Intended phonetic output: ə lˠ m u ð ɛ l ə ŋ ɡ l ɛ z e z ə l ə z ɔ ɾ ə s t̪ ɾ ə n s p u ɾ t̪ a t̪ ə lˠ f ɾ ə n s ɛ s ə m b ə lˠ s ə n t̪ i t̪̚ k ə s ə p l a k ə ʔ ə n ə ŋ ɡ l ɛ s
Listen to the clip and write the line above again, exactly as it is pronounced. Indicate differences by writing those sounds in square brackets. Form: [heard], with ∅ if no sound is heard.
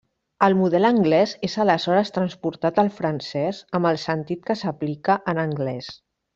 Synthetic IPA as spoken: ə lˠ m u ð ɛ l ə ŋ ɡ l ɛ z e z ə l ə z ɔ ɾ ə s t̪ ɾ ə n s p u ɾ t̪ a t̪ ə lˠ f ɾ ə n s ɛ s ə m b ə lˠ s ə n t̪ i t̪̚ k ə s ə p l [i] k ə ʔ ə n ə ŋ ɡ l ɛ s